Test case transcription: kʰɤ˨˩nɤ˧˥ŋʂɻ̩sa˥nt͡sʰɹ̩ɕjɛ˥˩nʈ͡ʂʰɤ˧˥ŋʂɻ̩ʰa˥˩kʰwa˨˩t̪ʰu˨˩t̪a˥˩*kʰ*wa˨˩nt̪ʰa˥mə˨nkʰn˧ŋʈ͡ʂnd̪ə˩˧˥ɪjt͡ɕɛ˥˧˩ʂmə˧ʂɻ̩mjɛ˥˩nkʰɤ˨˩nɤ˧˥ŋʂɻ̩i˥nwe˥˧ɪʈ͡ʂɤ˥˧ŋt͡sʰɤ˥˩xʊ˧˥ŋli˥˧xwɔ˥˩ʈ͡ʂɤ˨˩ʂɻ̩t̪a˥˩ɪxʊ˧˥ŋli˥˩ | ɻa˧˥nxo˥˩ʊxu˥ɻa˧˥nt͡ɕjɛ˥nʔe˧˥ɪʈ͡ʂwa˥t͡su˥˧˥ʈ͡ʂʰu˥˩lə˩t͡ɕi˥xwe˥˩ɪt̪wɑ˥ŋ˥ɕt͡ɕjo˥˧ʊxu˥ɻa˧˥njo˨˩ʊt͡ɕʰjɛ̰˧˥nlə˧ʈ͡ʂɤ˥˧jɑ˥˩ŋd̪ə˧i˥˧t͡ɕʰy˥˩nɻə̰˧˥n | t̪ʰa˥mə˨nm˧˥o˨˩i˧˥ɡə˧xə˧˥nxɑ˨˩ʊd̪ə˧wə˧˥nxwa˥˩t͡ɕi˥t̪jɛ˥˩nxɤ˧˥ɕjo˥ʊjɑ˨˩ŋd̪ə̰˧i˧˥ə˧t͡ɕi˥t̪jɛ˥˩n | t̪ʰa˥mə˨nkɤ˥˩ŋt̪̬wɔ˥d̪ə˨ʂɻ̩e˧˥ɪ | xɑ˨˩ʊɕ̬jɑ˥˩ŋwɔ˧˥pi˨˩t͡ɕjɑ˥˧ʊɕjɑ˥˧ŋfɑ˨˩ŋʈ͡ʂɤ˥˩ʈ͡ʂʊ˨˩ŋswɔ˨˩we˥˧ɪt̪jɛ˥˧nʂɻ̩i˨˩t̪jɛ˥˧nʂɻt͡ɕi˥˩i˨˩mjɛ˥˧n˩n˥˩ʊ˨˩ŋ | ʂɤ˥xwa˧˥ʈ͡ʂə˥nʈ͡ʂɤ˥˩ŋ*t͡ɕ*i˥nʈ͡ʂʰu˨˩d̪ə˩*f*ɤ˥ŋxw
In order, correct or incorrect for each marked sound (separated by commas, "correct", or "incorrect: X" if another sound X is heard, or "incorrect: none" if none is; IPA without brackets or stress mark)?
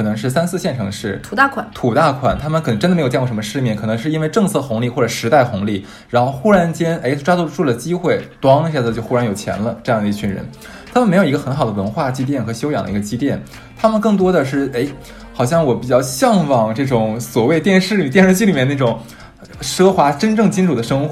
correct, correct, incorrect: ʂ